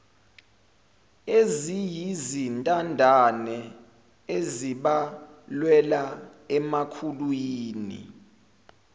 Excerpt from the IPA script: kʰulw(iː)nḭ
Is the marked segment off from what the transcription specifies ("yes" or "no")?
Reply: no